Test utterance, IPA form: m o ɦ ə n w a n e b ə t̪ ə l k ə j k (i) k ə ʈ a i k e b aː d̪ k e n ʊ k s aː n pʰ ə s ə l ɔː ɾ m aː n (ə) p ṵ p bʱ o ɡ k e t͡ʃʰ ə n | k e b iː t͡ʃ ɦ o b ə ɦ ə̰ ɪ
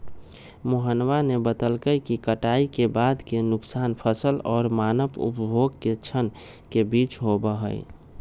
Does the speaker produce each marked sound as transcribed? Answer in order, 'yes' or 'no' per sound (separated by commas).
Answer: yes, yes